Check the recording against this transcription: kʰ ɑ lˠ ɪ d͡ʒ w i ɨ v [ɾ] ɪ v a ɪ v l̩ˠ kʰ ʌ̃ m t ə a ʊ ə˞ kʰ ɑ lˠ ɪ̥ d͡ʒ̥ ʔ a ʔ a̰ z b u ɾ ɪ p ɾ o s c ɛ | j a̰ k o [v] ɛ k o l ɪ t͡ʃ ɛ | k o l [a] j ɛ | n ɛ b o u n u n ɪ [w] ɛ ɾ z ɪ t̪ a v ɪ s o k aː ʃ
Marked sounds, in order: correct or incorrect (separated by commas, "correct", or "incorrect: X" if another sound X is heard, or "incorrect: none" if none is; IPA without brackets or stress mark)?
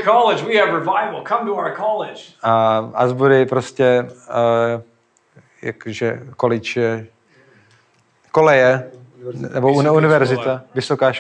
incorrect: ɹ, incorrect: ʒ, incorrect: ɛ, incorrect: v